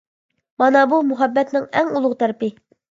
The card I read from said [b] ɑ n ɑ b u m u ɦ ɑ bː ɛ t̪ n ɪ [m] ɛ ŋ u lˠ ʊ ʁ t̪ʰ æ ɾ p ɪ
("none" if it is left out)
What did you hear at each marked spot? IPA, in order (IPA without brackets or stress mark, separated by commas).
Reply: m, ŋ